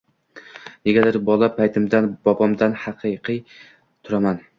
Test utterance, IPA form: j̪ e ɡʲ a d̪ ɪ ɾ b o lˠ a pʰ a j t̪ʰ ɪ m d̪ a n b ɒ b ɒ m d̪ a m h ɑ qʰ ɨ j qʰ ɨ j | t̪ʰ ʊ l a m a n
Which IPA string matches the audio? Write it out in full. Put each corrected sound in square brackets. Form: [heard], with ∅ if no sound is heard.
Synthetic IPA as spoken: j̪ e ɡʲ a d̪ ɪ ɾ b [ɒ] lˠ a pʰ a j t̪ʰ ɪ m d̪ a n b ɒ b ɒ m d̪ a [n] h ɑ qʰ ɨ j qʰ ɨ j | t̪ʰ ʊ [ɾ] a m a n